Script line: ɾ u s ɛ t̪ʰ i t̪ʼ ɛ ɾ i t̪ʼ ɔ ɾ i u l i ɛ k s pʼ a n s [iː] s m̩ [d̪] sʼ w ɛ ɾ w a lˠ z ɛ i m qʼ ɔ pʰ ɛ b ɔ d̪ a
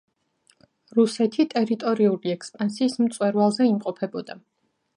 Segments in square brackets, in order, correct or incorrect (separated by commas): correct, incorrect